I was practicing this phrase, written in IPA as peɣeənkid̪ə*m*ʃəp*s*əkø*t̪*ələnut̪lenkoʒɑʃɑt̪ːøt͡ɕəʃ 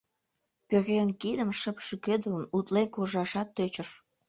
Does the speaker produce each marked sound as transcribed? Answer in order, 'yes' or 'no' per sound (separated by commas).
yes, no, no